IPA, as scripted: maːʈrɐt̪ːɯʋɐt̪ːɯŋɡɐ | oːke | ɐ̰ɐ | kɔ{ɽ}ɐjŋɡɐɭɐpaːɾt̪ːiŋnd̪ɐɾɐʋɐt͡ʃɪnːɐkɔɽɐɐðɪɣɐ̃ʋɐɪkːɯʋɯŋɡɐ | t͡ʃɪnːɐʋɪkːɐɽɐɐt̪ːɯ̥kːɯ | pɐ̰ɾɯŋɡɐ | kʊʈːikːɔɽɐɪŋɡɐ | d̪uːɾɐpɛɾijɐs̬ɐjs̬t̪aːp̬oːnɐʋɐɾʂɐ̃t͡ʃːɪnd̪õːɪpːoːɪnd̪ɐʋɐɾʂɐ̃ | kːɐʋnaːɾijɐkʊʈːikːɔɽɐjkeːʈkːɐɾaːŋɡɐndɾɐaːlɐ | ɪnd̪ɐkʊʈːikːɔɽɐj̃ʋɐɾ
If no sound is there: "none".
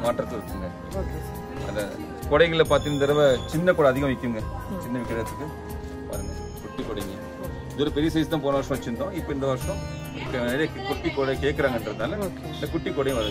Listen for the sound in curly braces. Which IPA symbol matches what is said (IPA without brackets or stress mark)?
ɽ